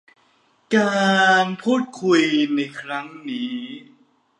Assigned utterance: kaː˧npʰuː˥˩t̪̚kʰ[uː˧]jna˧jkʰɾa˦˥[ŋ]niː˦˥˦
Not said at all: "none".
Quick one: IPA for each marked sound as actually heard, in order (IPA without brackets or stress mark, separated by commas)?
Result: u˧, ŋ